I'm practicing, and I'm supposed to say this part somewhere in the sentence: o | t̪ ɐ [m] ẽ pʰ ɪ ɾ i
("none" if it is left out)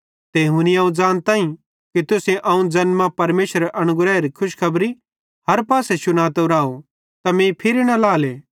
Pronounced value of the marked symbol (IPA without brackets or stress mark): m